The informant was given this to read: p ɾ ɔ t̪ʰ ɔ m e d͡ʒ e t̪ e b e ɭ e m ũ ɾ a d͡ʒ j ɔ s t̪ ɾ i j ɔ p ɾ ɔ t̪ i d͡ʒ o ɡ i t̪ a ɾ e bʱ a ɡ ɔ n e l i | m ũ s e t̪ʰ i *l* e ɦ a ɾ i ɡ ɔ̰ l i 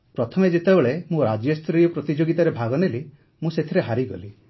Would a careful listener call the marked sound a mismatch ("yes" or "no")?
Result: yes